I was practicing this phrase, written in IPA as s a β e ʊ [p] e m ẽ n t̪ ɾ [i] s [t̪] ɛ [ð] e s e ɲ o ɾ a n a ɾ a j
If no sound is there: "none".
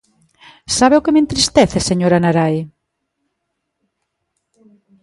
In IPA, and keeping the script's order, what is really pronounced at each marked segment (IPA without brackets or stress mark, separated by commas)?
k, i, t̪, θ